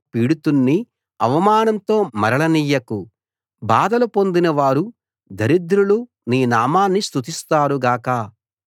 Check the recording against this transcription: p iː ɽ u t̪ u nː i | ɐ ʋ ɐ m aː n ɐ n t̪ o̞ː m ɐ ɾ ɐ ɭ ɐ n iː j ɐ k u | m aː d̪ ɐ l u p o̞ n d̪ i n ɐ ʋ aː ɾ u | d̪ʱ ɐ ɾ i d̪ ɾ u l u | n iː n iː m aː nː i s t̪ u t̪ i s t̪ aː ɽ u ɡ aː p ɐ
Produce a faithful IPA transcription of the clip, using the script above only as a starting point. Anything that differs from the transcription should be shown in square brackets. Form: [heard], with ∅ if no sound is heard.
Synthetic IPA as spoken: p iː ɽ u t̪ u nː i | ɐ ʋ ɐ m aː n ɐ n t̪ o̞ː m ɐ ɾ ɐ ɭ ɐ n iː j ɐ k u | [b] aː d̪ ɐ l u p o̞ n d̪ i n ɐ ʋ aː ɾ u | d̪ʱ ɐ ɾ i d̪ ɾ u l u | n iː n [aː] m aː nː i s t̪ u t̪ i s t̪ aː [ɾ] u ɡ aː [k] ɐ